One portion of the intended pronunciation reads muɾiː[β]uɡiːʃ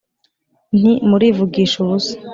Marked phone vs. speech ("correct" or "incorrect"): incorrect